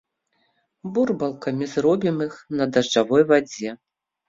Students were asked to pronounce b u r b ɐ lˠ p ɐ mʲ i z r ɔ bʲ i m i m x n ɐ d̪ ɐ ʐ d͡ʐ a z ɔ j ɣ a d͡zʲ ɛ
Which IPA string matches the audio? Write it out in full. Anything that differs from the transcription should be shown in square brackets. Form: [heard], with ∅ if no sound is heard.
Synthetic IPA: b u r b ɐ lˠ [k] ɐ mʲ i z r ɔ bʲ i m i [∅] x n ɐ d̪ ɐ ʐ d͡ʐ a [v] ɔ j [v] a d͡zʲ ɛ